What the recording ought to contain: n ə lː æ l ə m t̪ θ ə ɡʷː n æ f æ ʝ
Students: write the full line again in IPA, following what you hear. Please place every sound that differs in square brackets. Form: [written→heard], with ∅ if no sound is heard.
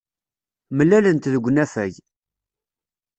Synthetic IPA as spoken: [n→m] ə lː æ l ə [m→n] t̪ [θ→ð] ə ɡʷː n æ f æ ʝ